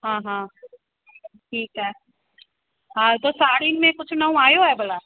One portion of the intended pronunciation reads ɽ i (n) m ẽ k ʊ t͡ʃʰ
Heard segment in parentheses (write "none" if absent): n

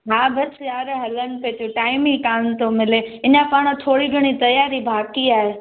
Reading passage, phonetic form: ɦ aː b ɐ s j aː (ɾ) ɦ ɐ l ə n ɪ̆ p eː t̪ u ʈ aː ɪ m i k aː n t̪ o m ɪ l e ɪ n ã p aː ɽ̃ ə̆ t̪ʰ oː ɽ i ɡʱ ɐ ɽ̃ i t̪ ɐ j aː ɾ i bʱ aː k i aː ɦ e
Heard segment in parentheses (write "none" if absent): ɾ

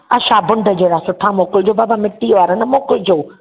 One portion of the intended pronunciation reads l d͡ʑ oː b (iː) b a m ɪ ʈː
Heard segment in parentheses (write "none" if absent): aː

